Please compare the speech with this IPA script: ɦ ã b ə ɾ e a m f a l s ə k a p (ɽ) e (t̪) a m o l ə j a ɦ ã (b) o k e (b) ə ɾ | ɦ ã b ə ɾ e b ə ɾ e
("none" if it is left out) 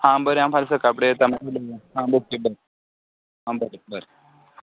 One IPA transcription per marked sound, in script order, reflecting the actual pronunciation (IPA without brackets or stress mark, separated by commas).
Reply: ɽ, t̪, b, b